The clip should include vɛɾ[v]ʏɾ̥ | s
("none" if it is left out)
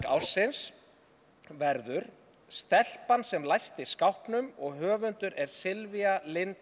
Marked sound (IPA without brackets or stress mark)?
ð